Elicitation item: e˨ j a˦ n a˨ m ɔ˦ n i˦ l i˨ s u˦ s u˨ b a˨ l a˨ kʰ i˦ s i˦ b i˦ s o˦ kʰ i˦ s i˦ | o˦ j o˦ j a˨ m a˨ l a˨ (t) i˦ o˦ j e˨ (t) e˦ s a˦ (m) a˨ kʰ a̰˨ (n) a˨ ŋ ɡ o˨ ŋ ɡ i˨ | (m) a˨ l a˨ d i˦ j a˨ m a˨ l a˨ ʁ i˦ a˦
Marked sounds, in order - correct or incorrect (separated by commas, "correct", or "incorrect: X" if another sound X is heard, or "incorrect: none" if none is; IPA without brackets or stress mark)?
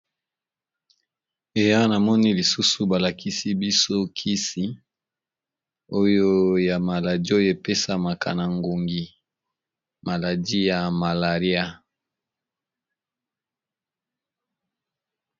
incorrect: d, incorrect: p, correct, correct, correct